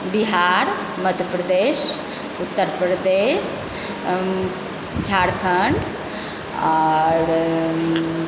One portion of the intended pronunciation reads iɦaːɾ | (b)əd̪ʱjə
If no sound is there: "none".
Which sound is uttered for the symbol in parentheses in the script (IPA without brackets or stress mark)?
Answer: m